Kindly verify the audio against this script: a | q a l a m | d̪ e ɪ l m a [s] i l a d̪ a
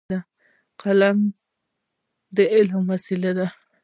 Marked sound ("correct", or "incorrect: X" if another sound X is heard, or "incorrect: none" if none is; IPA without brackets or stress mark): correct